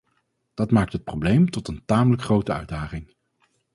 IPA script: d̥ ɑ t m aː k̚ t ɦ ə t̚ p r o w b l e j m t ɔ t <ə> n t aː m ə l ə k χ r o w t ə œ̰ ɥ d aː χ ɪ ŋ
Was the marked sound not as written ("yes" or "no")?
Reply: no